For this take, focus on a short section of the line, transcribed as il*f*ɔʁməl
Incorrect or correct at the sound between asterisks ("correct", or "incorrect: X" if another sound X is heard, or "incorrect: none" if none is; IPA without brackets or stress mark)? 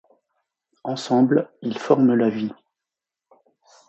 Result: correct